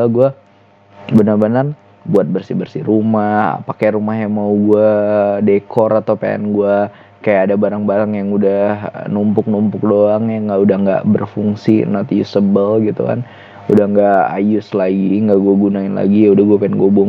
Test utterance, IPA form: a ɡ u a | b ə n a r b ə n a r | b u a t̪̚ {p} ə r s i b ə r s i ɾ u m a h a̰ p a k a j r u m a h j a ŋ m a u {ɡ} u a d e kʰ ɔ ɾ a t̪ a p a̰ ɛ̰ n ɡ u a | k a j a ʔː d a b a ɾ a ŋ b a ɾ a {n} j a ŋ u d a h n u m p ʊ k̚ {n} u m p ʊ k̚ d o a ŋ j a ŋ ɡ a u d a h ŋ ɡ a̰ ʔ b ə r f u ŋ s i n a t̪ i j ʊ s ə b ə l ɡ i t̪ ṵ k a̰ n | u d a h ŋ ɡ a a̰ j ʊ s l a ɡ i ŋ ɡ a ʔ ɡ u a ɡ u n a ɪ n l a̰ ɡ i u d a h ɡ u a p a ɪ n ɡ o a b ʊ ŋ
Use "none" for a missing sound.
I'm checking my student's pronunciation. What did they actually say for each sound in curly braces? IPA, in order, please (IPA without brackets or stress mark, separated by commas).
b, ɡ, ŋ, n